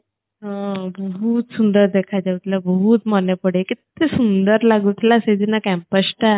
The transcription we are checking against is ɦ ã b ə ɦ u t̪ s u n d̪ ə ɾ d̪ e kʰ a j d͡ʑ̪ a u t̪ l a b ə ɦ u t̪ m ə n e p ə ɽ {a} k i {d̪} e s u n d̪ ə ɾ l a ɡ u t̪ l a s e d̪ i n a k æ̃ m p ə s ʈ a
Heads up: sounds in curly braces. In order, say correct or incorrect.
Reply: incorrect: e, incorrect: t̪

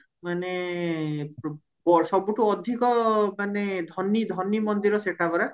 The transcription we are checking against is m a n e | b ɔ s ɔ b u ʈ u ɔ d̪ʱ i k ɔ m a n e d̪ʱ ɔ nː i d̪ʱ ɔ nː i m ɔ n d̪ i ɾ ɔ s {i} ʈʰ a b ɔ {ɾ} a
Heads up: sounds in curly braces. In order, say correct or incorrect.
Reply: incorrect: e, correct

